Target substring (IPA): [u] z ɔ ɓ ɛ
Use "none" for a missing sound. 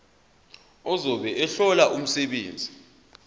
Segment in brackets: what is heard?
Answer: ɔ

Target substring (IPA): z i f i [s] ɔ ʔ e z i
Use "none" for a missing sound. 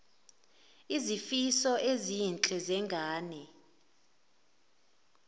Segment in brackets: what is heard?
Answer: s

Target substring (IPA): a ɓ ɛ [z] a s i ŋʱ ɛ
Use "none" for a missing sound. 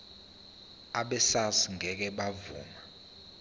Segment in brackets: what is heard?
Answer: s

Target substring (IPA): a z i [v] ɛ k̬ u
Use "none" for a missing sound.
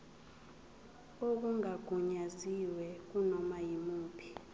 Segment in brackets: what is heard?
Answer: w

